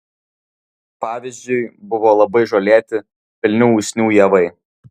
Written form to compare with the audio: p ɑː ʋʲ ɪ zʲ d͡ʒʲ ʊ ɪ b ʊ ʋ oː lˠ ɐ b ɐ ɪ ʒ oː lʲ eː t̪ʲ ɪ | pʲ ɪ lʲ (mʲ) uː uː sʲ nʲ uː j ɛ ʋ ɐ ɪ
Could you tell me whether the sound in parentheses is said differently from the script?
yes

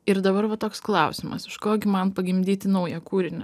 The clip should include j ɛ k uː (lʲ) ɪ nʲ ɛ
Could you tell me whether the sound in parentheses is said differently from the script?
yes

